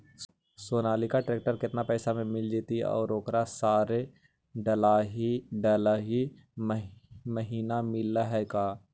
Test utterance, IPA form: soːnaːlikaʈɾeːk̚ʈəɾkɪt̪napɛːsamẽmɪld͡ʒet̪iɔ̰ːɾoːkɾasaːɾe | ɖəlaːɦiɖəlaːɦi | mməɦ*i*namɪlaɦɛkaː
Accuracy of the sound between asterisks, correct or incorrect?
incorrect